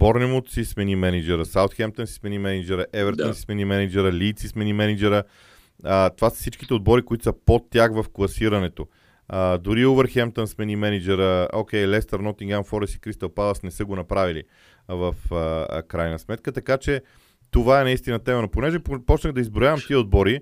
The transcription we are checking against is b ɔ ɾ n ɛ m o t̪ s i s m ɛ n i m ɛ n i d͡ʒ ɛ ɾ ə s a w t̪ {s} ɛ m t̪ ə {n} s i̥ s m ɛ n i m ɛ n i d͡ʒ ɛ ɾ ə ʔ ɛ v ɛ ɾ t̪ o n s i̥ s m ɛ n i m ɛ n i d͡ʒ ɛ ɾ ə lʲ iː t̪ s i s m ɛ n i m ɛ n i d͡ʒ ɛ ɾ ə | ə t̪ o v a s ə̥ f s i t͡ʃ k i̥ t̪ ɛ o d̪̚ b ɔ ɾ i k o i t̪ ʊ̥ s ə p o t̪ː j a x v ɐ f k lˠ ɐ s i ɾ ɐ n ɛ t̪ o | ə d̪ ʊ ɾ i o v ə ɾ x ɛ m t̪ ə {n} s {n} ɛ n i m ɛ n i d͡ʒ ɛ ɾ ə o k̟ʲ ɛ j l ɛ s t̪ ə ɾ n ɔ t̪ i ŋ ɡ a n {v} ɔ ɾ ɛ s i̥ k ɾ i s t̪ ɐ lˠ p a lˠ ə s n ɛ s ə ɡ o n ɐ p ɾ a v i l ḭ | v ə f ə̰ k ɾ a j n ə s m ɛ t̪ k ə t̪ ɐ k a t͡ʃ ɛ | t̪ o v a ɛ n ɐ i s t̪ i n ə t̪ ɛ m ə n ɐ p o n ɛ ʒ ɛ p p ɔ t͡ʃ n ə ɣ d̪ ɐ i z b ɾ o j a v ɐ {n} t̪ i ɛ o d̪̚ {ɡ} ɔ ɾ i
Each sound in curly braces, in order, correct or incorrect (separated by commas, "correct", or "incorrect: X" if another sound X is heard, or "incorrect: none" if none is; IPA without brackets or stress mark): incorrect: x, correct, correct, incorrect: m, incorrect: f, incorrect: m, incorrect: b